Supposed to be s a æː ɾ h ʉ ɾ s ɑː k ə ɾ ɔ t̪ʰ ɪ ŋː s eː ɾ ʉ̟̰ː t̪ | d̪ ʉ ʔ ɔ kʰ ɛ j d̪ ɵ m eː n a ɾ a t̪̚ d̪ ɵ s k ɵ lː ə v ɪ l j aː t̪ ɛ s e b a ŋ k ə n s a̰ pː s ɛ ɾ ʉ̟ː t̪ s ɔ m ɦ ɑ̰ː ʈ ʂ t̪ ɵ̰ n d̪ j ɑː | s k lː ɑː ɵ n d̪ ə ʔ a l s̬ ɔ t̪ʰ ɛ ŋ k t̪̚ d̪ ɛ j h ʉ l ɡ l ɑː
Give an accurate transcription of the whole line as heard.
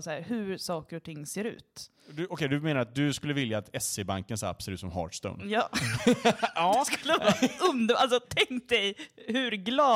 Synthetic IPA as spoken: s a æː ɾ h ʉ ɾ s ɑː k ə ɾ ɔ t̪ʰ ɪ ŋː s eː ɾ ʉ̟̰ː t̪ | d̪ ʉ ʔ ɔ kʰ ɛ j d̪ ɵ m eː n a ɾ a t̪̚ d̪ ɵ s k ɵ lː ə v ɪ l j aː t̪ ɛ s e b a ŋ k ə n s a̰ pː s ɛ ɾ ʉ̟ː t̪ s ɔ m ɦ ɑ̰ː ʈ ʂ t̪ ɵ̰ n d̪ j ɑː | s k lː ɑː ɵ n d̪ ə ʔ a l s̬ ɔ t̪ʰ ɛ ŋ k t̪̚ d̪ ɛ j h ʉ ɾ ɡ l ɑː